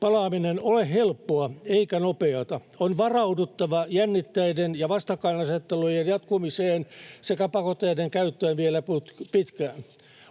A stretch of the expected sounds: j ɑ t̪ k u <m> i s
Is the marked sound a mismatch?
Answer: no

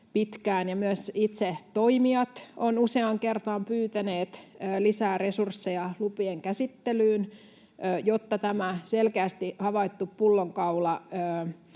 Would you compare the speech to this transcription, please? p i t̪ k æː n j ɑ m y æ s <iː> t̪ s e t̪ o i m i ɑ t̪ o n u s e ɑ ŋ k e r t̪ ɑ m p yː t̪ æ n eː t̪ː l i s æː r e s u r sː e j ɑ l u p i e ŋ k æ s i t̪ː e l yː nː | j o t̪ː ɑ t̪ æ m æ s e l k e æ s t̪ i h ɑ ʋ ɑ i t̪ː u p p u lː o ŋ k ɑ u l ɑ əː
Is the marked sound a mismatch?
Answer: yes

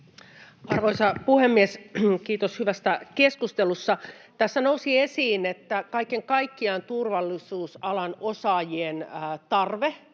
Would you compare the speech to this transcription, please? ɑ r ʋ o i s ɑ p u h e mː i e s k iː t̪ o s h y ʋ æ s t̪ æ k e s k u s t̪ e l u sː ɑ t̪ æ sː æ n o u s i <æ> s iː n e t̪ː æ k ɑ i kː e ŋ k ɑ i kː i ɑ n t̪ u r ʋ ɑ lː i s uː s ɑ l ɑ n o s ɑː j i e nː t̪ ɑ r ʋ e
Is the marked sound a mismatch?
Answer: yes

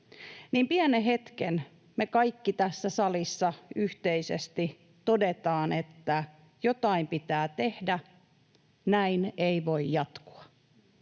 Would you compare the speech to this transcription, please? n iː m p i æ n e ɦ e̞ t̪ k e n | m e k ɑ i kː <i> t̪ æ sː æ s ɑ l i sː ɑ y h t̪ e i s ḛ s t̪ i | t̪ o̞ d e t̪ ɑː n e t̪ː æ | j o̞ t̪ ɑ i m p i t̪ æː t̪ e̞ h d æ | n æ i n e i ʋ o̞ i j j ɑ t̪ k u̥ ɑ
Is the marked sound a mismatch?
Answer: no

